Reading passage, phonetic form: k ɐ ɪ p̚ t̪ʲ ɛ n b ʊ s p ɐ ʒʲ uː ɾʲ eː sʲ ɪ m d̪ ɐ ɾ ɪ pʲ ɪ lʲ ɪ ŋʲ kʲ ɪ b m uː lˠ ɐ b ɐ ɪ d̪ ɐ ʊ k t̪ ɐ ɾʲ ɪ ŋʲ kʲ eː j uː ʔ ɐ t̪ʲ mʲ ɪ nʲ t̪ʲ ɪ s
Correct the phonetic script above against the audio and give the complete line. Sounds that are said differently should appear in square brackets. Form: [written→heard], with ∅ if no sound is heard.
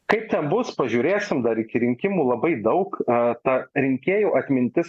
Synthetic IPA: k ɐ ɪ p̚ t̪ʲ ɛ n b ʊ s p ɐ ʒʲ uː ɾʲ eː sʲ ɪ m d̪ ɐ ɾ ɪ [pʲ→kʲ] ɪ [lʲ→ɾʲ] ɪ ŋʲ kʲ ɪ [b→∅] m uː lˠ ɐ b ɐ ɪ d̪ ɐ ʊ k t̪ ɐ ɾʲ ɪ ŋʲ kʲ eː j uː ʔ ɐ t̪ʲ mʲ ɪ nʲ t̪ʲ ɪ s